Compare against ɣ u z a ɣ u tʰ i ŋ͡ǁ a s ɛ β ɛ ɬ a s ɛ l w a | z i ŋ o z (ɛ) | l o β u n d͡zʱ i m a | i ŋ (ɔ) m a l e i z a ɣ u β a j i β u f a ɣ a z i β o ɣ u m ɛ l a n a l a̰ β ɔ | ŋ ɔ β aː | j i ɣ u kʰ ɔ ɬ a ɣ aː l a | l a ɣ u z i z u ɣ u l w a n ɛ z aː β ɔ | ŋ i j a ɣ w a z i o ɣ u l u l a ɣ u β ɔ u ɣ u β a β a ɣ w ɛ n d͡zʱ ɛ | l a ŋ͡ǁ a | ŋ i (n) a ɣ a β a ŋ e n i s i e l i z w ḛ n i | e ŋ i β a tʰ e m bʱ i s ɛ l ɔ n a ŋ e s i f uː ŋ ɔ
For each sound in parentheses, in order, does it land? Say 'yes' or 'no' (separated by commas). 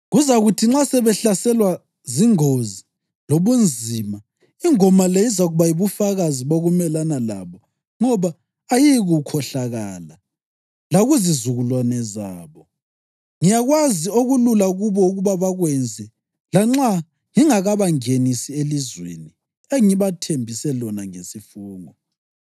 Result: no, yes, no